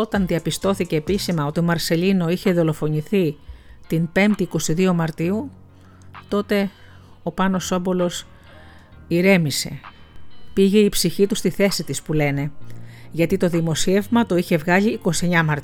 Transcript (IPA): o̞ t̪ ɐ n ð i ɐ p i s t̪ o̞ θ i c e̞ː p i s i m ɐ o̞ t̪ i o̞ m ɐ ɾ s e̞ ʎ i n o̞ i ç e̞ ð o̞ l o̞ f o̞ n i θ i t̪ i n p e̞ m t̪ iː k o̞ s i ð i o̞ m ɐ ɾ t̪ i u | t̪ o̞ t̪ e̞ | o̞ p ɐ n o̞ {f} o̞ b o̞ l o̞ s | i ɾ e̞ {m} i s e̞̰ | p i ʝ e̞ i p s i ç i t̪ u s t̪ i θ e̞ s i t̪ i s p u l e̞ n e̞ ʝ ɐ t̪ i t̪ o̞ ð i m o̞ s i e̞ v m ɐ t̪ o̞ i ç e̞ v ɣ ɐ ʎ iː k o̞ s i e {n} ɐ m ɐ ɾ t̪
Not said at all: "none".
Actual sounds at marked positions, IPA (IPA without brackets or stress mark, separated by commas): s, m, ɲ